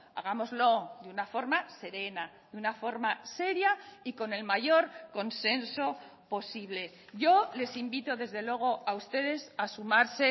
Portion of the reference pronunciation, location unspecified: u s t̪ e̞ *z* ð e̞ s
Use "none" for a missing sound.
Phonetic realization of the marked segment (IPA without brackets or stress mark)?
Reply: none